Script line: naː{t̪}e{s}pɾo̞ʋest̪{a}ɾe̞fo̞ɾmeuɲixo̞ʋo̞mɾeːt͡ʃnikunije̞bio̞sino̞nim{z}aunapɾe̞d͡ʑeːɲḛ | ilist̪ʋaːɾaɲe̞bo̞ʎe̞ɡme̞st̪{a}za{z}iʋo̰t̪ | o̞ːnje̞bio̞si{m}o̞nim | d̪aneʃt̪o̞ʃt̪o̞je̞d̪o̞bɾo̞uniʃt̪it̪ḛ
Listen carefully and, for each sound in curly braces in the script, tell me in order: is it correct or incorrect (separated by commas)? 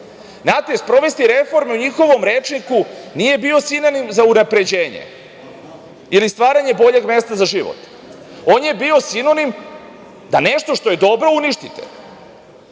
correct, correct, incorrect, correct, correct, incorrect, incorrect